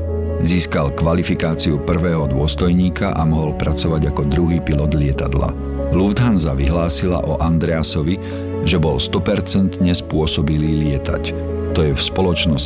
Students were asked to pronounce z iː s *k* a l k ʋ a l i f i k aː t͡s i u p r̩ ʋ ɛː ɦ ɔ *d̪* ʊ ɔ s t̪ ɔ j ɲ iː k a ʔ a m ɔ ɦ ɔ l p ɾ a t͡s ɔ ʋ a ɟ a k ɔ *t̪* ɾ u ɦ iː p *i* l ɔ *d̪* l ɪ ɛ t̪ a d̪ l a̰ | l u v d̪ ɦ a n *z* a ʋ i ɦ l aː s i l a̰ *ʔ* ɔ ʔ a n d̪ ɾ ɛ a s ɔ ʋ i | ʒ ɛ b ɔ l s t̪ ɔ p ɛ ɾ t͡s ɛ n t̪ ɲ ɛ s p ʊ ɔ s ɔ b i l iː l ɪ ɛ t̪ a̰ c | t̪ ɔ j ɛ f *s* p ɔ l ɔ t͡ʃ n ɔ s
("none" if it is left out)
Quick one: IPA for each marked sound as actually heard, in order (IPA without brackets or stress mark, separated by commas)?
k, d̪, d̪, i, d̪, z, ʔ, s